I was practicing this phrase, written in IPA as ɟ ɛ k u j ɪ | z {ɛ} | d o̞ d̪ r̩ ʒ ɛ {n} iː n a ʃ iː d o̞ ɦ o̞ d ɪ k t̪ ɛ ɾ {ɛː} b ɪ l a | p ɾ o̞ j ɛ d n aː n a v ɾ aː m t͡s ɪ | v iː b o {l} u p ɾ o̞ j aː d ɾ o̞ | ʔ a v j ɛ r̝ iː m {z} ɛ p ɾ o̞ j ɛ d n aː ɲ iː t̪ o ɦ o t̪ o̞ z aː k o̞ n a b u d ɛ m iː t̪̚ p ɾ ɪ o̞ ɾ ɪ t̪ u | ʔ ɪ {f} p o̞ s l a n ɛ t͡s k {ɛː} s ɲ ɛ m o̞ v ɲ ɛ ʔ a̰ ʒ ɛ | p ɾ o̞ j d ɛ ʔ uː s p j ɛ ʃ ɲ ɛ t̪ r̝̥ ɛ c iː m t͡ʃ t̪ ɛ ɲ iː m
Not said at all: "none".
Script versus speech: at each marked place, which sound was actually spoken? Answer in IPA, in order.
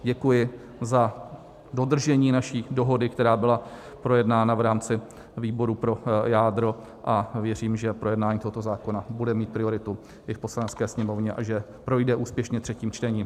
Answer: a, ɲ, aː, ɾ, ʒ, f, ɛː

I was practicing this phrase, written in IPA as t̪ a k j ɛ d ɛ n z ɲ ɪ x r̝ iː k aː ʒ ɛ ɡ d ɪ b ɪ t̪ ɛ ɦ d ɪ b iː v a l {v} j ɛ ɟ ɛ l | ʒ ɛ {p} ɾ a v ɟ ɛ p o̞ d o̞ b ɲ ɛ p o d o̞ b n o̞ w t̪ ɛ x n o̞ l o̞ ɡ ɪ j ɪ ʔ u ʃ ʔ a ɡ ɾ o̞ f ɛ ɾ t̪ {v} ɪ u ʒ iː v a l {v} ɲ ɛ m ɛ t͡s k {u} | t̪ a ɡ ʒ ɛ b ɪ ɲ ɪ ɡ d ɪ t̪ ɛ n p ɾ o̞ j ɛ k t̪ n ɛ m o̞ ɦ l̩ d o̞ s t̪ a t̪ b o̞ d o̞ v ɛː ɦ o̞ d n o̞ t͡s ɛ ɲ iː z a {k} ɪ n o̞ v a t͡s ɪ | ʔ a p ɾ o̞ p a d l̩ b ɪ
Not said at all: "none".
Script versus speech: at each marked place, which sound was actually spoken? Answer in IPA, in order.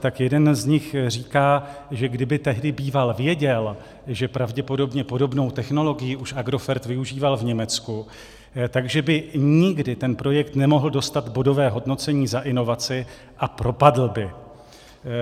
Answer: v, p, v, v, u, ʔ

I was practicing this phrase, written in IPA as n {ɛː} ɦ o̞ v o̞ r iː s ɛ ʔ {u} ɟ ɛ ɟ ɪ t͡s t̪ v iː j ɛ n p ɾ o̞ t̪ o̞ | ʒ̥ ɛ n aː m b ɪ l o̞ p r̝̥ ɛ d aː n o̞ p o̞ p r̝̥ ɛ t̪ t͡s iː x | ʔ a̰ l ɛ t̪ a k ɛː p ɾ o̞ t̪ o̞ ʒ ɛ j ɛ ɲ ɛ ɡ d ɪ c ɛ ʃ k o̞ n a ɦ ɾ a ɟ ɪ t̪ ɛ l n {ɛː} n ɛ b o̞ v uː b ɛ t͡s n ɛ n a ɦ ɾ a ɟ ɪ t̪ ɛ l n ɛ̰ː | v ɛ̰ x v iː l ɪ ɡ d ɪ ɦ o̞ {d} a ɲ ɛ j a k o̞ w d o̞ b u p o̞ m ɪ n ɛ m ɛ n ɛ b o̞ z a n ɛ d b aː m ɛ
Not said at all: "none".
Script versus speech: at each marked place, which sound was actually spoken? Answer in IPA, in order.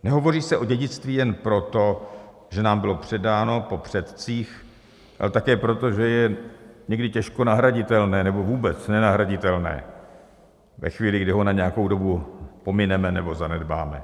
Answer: ɛ, o, ɛː, n

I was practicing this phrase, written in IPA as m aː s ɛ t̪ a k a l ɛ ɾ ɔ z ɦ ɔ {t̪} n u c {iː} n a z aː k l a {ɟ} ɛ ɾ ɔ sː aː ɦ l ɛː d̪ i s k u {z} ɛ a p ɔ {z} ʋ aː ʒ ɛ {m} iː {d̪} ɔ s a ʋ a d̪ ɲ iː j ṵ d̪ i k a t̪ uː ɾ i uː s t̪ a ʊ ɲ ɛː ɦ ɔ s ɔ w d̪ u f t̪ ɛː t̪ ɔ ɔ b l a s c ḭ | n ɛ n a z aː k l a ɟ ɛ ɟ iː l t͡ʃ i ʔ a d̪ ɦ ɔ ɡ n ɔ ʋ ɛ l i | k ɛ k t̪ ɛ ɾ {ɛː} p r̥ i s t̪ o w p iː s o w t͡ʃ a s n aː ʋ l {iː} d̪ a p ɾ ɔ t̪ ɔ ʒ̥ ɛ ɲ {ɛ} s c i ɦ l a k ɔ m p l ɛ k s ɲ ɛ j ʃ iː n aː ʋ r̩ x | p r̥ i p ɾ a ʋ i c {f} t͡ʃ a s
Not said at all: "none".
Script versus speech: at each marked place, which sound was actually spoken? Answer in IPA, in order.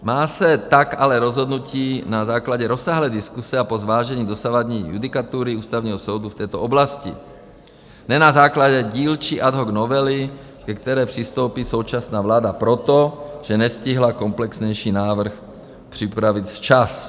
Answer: d̪, iː, ɟ, s, z, ɲ, d̪, ɛː, aː, ɛ, f

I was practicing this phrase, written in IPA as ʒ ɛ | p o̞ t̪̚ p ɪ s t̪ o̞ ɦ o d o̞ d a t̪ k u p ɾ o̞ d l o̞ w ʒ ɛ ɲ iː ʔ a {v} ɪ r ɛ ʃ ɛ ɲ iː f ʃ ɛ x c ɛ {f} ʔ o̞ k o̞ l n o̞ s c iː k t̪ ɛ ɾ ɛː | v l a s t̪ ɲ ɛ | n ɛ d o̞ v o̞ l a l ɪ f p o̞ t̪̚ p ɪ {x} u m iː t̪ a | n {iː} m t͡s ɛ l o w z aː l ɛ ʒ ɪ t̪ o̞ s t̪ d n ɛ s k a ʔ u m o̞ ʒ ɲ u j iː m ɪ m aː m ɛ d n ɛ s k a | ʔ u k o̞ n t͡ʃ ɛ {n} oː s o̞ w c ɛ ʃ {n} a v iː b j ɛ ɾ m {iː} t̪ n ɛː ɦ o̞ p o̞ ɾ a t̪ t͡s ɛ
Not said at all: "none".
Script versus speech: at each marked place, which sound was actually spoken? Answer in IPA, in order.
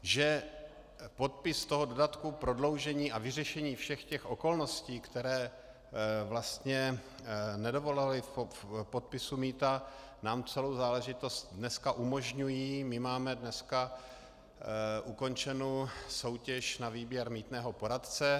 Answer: v, x, s, aː, n, n, iː

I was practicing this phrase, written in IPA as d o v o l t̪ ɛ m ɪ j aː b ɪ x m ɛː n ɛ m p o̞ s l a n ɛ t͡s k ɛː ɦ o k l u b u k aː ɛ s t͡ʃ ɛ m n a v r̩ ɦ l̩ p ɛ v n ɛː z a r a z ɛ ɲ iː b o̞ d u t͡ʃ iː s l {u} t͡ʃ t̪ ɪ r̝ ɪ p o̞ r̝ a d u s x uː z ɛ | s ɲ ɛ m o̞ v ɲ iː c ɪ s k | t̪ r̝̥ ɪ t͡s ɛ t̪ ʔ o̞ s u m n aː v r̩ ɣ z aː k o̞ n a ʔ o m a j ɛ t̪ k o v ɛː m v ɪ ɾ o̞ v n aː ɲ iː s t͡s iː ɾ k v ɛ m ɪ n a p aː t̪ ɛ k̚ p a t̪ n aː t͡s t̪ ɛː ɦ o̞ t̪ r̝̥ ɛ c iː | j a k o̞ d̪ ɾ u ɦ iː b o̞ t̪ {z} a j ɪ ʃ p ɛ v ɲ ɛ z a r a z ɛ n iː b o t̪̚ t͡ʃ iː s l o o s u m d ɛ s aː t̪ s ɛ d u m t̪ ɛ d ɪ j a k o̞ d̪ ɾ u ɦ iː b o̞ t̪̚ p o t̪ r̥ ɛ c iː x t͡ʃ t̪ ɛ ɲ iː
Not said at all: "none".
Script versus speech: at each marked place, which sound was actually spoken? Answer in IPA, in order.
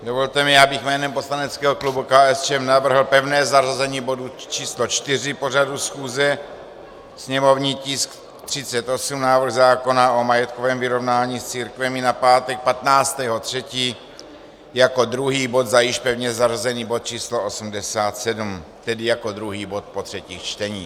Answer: o, z

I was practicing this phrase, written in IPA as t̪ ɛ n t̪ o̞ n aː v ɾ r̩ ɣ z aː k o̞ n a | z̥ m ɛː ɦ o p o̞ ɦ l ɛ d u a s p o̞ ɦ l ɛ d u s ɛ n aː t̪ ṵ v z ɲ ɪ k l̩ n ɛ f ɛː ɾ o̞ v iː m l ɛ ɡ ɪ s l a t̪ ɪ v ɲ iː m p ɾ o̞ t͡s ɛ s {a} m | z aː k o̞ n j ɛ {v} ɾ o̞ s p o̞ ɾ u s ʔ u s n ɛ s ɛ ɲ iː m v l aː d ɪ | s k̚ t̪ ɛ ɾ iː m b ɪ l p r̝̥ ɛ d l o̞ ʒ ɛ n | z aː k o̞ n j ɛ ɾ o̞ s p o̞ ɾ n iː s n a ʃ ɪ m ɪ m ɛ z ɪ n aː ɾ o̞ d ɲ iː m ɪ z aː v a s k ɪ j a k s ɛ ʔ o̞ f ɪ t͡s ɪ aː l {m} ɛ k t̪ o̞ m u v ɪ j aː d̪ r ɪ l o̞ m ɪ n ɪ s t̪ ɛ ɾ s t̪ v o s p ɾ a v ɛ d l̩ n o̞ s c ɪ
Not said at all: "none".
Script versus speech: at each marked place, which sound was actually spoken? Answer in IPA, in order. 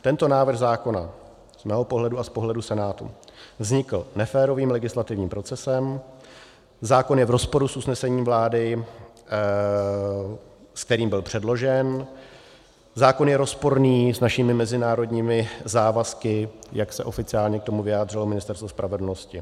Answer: ɛ, v, ɲ

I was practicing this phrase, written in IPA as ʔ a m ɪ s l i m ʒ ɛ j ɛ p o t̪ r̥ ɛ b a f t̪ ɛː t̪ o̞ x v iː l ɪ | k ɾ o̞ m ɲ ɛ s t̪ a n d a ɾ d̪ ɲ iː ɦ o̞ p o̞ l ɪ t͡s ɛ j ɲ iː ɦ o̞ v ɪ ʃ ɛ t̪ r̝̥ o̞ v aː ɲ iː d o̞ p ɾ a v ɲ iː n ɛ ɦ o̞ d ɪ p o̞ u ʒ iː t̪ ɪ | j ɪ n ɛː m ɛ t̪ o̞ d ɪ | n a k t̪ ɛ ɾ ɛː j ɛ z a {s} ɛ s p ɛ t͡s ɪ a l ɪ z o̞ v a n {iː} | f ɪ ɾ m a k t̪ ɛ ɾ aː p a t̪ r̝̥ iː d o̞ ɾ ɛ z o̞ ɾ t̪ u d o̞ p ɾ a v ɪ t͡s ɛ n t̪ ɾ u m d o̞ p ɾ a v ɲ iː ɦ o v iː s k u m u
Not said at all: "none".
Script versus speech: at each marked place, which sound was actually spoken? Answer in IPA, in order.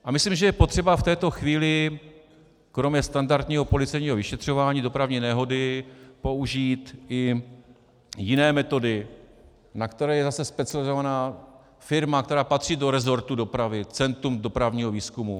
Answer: s, aː

